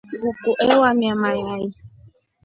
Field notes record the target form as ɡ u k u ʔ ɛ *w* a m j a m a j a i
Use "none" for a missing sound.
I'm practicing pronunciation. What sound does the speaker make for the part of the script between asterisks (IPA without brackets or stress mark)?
w